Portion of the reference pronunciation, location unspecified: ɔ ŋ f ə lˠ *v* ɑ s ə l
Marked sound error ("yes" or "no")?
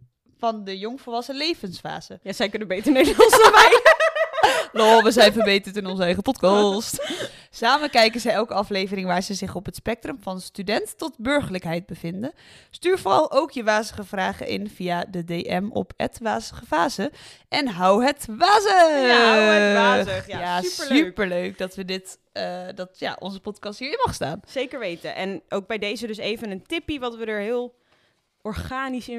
yes